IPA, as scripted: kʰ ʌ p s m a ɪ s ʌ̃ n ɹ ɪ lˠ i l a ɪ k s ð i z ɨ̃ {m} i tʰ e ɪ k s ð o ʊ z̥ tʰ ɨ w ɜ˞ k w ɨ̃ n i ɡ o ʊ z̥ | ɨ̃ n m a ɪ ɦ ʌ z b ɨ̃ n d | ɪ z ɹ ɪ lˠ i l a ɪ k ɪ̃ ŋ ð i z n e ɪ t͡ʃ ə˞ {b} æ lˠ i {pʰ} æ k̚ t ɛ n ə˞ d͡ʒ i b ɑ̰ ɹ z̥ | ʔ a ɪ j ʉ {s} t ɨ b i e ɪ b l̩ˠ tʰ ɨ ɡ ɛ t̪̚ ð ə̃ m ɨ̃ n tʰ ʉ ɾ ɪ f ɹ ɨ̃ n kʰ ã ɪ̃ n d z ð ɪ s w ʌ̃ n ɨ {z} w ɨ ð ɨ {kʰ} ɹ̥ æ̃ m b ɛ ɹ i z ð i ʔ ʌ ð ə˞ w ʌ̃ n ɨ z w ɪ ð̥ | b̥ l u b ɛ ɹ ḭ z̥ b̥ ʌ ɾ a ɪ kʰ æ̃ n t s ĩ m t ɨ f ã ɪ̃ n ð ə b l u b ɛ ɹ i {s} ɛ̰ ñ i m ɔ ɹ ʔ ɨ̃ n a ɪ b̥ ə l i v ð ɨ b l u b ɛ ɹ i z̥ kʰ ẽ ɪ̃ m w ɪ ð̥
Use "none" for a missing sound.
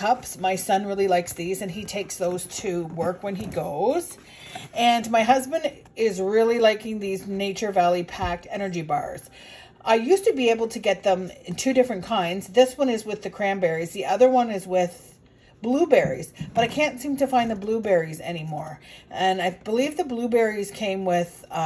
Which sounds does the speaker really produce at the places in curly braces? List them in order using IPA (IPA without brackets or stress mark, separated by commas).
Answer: n, v, pʰ, s, z, kʰ, z